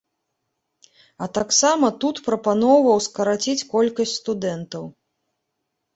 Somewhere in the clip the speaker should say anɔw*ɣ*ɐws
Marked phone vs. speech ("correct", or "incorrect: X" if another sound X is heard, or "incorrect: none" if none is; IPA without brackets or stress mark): incorrect: v